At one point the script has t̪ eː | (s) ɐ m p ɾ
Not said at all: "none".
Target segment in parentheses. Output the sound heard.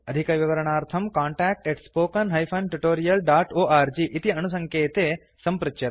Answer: s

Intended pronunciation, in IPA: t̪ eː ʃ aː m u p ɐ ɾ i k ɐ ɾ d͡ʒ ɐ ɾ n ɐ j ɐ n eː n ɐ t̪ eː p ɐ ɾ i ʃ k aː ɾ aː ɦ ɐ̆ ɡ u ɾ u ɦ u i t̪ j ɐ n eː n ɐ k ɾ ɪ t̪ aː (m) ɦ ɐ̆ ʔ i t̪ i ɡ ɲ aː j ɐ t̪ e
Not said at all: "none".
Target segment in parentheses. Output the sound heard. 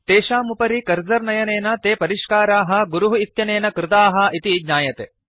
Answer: none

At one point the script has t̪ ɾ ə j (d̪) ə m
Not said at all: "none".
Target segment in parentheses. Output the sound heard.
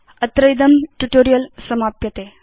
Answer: d̪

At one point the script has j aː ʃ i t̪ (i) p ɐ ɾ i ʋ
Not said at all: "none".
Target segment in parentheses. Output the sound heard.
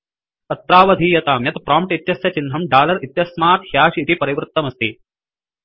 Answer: i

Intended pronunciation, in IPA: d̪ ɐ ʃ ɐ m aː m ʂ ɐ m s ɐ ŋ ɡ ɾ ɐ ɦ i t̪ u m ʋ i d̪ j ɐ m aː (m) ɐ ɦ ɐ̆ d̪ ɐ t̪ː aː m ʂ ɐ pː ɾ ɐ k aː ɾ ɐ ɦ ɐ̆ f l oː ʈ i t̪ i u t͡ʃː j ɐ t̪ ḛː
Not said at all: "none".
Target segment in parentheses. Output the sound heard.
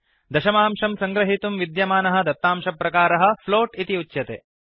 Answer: n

